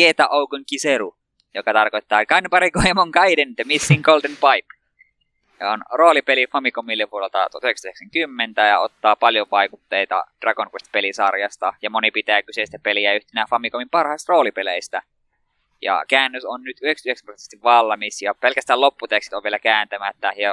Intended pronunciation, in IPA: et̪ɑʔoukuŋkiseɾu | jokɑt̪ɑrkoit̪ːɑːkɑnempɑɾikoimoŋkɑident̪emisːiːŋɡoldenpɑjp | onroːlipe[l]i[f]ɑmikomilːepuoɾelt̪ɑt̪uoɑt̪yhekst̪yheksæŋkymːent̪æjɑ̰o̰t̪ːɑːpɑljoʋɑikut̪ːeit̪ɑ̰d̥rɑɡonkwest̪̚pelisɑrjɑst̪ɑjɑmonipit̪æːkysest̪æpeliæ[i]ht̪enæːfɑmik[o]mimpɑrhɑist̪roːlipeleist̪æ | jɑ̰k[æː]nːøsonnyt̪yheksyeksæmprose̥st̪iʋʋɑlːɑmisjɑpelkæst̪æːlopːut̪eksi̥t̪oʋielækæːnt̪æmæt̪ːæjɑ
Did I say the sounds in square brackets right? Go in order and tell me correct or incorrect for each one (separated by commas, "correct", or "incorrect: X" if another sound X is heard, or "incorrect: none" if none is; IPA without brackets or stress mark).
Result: correct, correct, incorrect: y, correct, correct